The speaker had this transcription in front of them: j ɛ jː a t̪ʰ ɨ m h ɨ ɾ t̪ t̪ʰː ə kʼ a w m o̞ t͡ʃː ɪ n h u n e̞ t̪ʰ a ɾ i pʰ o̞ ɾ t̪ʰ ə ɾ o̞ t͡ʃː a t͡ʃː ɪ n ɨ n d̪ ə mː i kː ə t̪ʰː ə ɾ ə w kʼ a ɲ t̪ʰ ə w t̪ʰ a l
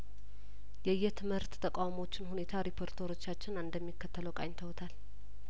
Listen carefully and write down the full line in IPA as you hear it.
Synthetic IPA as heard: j ɛ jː ɛ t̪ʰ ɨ m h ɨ ɾ t̪ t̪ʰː ə kʼ a w m o̞ t͡ʃː ɪ n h u n e̞ t̪ʰ a ɾ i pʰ o̞ ɾ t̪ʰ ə ɾ o̞ t͡ʃː a t͡ʃː ɪ n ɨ n d̪ ə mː i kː ə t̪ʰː ə l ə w kʼ a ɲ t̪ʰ ə w t̪ʰ a l